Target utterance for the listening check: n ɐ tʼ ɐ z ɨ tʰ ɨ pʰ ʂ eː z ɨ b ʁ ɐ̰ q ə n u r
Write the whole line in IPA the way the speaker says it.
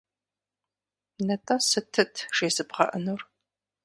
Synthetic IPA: n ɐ tʼ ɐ s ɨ tʰ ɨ tʰ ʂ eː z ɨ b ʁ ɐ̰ ʔ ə n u r